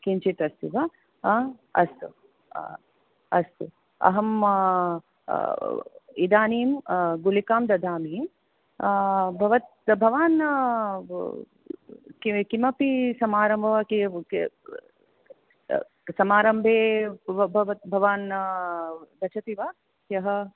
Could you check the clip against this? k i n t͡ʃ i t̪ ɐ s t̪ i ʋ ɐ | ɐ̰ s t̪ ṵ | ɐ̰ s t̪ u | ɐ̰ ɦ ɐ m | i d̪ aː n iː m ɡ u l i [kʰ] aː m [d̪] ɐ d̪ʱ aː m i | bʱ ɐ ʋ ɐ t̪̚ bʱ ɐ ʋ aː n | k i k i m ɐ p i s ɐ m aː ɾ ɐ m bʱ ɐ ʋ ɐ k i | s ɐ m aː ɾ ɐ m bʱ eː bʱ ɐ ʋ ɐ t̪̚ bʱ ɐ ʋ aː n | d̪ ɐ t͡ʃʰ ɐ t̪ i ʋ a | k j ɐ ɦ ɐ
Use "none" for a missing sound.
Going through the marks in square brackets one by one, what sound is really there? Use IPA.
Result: k, d̪

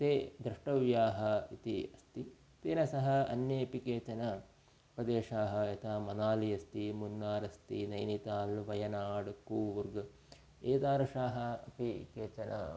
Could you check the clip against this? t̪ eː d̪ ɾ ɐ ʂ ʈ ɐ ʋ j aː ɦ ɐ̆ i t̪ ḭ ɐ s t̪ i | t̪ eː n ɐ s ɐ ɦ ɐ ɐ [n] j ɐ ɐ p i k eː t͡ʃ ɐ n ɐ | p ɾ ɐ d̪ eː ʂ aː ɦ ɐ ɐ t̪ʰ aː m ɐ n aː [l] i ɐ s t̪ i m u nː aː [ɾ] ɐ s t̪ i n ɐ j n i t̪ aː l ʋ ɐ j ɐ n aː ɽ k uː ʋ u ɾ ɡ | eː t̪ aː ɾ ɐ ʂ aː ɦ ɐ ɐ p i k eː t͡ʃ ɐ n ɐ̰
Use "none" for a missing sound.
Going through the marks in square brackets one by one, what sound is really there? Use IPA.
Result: n, l, ɾ

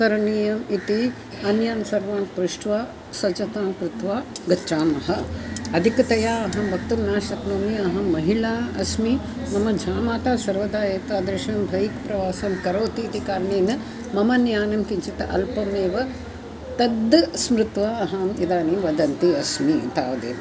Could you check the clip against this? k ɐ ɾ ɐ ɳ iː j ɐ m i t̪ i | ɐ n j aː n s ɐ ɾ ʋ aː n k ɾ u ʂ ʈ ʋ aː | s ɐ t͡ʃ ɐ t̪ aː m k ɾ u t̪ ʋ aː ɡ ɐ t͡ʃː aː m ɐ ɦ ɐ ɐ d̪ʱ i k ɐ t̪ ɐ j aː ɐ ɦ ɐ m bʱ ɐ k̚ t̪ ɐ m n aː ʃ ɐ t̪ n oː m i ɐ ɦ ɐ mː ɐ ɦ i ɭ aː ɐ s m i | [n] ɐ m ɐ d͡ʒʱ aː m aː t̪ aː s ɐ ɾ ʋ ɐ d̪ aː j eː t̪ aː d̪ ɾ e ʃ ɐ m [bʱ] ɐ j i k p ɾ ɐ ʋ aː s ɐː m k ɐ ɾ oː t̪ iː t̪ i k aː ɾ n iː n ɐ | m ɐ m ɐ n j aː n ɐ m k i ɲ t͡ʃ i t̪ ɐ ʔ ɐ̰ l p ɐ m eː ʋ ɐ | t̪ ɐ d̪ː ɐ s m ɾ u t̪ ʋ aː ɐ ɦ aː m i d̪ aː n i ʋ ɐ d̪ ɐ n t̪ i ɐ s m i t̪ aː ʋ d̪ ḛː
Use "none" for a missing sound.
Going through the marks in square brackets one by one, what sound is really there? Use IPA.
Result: m, bʱ

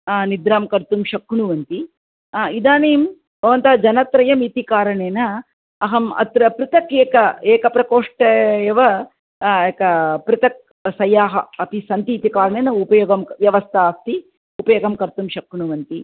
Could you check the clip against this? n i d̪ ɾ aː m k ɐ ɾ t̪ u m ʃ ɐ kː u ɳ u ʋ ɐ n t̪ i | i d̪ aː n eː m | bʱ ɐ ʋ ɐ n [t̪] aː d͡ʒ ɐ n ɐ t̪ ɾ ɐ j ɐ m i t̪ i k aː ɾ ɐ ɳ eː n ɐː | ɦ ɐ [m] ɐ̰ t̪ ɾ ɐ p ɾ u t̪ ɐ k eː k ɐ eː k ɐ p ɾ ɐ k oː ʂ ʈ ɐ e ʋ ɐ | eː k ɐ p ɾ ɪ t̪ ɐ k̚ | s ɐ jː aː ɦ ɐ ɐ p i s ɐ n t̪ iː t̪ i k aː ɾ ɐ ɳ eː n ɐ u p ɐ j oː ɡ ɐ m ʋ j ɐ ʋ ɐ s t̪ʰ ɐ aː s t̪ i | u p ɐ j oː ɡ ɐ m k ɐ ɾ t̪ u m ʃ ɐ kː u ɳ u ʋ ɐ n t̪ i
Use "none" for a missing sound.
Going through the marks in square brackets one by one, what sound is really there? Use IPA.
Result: t̪, m

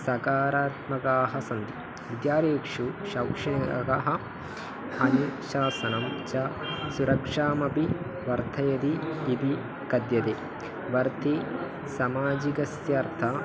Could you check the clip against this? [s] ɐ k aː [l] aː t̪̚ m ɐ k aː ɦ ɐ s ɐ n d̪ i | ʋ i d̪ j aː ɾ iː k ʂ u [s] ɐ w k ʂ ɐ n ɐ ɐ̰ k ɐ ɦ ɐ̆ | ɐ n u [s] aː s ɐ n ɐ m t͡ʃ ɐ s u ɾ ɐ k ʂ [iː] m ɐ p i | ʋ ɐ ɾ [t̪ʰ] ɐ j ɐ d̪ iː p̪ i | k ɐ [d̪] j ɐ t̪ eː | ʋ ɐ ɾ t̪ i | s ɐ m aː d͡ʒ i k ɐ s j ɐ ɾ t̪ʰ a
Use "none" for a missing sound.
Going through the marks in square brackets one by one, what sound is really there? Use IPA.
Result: s, ɾ, ʃ, ʃ, aː, t̪ʰ, d̪

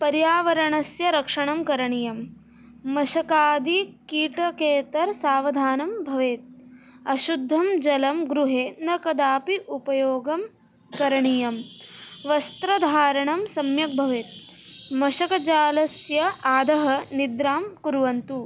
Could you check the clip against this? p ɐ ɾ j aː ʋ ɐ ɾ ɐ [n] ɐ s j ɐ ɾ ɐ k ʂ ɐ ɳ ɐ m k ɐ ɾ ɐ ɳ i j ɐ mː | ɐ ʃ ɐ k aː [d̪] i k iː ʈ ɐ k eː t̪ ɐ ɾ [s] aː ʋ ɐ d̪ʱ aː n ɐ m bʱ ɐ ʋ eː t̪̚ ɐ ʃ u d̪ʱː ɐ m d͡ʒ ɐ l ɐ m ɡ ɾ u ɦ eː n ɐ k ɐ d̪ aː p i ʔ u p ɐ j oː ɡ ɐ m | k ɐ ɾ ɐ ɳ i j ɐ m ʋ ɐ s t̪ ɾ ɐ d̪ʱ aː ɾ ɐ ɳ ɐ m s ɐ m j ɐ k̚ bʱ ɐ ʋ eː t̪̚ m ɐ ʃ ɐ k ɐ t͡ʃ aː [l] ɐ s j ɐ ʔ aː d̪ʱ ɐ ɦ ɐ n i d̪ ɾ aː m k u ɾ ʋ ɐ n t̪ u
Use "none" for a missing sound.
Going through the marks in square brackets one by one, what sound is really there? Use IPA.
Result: ɳ, d̪, s, l

